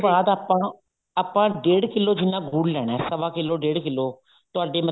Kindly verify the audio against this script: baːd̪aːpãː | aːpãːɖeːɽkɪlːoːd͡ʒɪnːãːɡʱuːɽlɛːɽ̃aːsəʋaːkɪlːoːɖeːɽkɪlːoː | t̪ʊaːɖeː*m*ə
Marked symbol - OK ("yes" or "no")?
yes